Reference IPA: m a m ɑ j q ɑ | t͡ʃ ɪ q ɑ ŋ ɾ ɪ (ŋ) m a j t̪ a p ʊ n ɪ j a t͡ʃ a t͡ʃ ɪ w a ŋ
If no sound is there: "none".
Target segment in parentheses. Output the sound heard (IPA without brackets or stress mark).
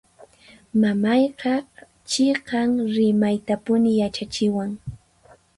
none